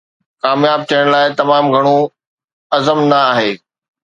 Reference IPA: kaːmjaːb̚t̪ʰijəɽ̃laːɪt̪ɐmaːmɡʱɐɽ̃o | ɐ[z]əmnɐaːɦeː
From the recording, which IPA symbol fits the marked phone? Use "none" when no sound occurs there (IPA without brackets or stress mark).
z